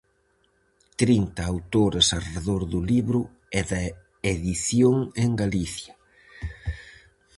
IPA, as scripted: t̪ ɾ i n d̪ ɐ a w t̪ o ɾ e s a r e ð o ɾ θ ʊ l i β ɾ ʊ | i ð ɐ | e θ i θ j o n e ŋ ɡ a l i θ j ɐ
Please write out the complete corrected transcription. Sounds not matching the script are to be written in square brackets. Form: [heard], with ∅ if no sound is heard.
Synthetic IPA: t̪ ɾ i n [t̪] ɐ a w t̪ o ɾ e s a r e ð o ɾ [ð] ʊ l i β ɾ ʊ | [ɛ] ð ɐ | e [ð] i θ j o [ŋ] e ŋ ɡ a l i θ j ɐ